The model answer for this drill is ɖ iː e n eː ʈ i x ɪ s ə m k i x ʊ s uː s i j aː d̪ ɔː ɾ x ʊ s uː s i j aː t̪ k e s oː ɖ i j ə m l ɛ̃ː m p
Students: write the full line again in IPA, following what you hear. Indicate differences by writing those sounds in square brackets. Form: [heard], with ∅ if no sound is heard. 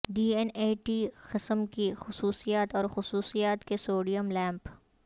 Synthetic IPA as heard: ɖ iː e n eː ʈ i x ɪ s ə m k i x ʊ s uː s i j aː [t̪] ɔː ɾ x ʊ s uː s i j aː t̪ k e s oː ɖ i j ə m l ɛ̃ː m p